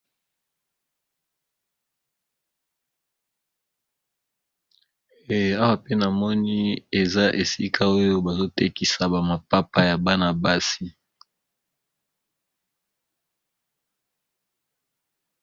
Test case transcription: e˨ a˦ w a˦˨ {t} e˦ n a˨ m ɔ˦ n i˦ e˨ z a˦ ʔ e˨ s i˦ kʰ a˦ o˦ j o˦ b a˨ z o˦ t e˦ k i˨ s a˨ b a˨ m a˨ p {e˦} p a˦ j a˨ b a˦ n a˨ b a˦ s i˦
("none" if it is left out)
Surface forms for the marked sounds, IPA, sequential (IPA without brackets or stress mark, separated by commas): p, a˦